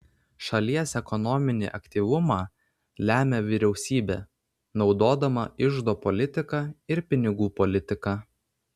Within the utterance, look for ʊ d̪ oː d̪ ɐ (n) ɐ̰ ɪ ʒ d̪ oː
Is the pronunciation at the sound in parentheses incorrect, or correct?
incorrect